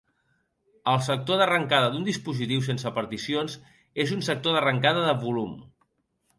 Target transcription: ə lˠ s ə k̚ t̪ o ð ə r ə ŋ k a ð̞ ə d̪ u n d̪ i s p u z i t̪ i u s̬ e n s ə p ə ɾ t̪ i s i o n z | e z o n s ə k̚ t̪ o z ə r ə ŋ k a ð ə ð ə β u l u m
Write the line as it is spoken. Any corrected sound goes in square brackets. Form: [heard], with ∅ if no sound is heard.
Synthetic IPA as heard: ə lˠ s ə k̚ t̪ o ð ə r ə ŋ k a ð̞ ə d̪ u n d̪ i s p u z i t̪ i [w] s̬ e n s ə p ə ɾ t̪ i s i o n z | e z [u] n s ə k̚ t̪ o [ð] ə r ə ŋ k a ð ə ð ə β u l u m